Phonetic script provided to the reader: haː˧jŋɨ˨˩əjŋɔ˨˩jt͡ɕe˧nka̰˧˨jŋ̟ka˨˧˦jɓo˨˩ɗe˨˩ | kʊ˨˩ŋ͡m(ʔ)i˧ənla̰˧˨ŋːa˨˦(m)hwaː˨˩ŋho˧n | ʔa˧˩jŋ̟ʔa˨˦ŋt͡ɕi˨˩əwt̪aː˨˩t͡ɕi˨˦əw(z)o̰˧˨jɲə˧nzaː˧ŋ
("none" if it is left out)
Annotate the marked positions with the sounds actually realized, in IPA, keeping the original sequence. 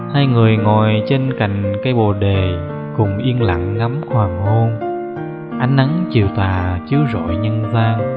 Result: ʔ, m, z

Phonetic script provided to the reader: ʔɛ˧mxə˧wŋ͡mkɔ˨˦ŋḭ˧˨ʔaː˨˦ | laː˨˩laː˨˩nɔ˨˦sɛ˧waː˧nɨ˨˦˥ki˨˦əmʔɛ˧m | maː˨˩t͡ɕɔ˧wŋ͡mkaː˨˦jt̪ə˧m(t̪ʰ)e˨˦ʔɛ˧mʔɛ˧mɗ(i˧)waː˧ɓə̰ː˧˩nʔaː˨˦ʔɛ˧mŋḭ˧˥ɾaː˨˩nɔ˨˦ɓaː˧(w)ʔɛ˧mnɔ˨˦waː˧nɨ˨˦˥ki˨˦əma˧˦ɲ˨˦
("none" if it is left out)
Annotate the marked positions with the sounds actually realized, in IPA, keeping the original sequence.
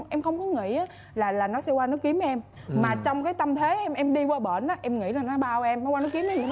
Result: t̪ʰ, i˧, w

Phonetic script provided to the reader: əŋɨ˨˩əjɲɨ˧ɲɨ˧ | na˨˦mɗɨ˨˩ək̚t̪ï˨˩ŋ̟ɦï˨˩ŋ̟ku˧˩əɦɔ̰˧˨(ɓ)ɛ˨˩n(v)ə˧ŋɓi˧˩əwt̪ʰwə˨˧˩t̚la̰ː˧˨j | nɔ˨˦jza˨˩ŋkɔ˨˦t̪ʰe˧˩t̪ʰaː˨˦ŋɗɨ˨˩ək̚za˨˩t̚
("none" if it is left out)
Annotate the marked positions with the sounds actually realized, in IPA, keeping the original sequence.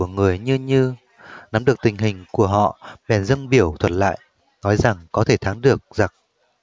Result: ɓ, z

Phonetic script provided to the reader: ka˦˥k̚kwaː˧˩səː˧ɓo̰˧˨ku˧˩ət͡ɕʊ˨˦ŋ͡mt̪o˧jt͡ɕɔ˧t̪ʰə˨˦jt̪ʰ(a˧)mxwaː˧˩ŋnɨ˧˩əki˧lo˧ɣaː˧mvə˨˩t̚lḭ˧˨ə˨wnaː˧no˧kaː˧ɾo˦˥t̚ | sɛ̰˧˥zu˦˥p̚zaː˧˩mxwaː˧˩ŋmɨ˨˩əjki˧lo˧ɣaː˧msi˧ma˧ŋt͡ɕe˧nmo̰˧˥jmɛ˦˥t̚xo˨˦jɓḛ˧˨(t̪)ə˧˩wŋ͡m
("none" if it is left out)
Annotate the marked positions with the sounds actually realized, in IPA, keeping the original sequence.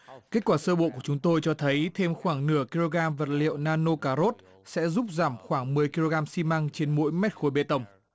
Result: e˧, t̪

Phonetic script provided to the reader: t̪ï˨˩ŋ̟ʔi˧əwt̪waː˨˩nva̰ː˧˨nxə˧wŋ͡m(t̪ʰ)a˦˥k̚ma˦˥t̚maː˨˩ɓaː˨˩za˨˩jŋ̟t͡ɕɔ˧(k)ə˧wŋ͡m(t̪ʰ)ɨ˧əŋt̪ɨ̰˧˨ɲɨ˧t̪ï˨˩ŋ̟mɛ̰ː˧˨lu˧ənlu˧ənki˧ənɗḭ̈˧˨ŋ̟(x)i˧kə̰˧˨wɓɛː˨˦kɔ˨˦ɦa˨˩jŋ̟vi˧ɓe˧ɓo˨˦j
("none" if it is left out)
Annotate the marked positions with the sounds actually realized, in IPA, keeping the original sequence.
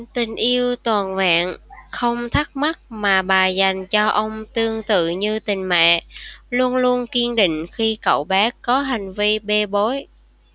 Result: t̪ʰ, ʔ, t̪, x

